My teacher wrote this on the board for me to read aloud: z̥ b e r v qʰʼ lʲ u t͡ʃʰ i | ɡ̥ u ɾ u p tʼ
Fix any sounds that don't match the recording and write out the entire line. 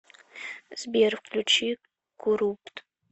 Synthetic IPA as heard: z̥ b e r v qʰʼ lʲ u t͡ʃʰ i | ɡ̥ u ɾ u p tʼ